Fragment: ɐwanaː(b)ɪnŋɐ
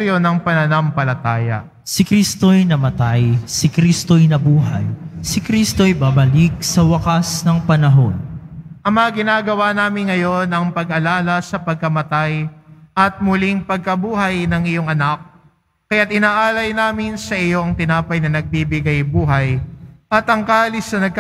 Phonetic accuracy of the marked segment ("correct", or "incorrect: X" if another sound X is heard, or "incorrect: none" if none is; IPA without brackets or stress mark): incorrect: m